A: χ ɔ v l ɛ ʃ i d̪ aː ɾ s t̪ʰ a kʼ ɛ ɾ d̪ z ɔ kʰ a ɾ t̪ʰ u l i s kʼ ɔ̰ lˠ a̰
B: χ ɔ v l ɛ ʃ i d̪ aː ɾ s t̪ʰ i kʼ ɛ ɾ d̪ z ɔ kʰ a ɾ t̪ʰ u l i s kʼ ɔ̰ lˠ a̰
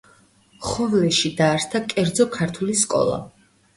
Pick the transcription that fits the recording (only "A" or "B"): A